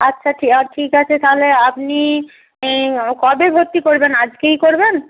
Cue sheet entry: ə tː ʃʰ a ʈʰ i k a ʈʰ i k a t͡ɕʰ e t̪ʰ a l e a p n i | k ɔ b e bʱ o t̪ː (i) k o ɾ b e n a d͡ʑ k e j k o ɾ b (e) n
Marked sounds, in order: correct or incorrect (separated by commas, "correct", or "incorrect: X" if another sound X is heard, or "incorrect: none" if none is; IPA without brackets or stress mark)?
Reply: correct, correct